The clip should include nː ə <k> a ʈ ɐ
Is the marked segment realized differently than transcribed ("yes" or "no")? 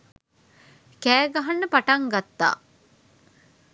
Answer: yes